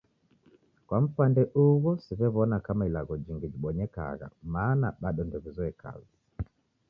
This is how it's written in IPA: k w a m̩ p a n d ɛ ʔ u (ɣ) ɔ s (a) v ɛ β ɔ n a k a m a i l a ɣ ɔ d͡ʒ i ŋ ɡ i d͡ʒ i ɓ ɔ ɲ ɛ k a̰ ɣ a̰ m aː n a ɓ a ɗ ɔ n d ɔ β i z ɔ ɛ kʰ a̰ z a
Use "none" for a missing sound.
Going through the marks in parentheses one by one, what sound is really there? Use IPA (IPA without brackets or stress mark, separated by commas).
ɣ, i